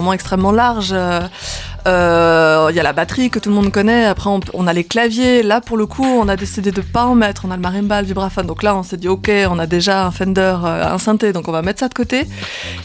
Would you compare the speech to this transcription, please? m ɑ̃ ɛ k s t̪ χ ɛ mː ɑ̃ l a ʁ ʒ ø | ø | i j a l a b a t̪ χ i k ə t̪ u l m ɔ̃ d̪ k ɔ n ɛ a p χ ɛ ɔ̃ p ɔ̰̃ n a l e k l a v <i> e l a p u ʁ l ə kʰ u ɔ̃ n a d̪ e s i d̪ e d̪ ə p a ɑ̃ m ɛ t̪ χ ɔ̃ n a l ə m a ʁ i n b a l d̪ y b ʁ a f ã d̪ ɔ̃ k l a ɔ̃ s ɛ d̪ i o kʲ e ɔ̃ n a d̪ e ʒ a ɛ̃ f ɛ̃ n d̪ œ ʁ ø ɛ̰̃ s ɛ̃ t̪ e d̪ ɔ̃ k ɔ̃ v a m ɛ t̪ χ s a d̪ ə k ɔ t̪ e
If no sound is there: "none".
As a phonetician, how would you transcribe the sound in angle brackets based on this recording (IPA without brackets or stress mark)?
j